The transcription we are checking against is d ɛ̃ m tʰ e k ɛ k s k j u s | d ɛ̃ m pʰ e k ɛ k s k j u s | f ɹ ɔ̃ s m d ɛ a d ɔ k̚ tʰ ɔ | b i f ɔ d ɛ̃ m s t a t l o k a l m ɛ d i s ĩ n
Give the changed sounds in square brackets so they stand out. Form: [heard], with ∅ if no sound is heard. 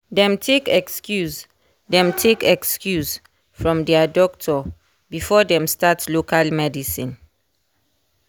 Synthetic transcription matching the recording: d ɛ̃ m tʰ e k ɛ k s k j u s | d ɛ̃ m [tʰ] e k ɛ k s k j u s | f ɹ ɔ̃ [∅] m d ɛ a d ɔ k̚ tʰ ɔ | b i f ɔ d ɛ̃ m s t a t l o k a l m ɛ d i s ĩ n